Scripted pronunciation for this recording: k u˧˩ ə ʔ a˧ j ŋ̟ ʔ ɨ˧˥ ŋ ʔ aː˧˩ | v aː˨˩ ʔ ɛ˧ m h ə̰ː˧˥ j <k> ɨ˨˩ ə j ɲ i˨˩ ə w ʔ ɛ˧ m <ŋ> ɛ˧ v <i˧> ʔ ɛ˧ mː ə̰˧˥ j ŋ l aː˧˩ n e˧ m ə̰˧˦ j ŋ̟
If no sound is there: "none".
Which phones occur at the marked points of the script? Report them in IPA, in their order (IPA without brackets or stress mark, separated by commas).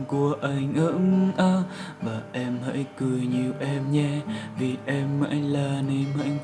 k, ɲ, i˨˩